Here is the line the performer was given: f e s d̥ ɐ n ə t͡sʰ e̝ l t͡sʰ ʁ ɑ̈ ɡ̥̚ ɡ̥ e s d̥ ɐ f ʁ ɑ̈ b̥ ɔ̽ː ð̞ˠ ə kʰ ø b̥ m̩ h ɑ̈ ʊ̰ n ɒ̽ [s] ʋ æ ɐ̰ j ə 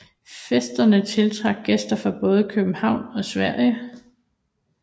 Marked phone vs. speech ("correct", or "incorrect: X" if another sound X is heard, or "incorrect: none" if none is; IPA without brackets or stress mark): correct